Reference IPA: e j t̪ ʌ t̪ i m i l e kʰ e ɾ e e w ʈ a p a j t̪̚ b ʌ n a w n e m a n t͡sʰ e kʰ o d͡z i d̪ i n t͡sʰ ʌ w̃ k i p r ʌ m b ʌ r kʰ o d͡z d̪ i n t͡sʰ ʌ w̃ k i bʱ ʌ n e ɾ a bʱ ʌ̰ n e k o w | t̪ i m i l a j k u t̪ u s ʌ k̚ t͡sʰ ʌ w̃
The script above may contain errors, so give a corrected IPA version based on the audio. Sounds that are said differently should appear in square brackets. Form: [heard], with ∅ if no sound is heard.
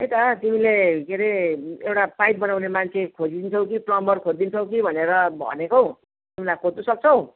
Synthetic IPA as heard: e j t̪ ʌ t̪ i m i l e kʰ e ɾ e e w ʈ a p a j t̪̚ b ʌ n a w n e m a n t͡sʰ e kʰ o d͡z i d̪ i n t͡sʰ ʌ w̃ k i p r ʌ m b ʌ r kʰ o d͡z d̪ i n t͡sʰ ʌ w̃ k i bʱ ʌ n e ɾ [ʌ] bʱ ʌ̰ n e k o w | t̪ i m i l a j k [o] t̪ u s ʌ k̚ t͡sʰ ʌ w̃